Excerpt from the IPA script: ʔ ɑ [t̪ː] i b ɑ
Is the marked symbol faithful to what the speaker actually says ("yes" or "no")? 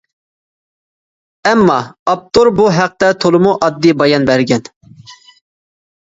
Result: no